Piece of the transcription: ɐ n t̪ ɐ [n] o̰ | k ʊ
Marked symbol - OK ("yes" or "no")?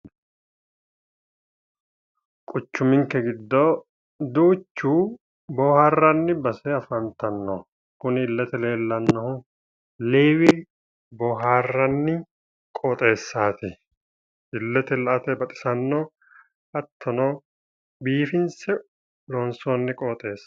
no